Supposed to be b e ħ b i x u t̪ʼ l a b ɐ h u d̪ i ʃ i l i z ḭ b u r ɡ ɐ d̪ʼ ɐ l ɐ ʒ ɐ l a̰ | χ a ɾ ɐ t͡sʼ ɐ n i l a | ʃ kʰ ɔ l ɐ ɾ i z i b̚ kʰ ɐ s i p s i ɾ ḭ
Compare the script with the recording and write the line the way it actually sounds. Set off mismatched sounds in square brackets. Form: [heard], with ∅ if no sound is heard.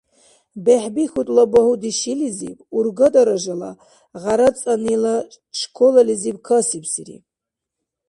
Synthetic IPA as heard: b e ħ b i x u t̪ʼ l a b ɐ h u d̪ i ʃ i l i z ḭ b u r ɡ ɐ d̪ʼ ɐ [ɾ] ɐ ʒ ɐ l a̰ | [ʁ] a ɾ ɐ t͡sʼ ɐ n i l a | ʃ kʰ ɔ l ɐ [l] i z i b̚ kʰ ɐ s i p s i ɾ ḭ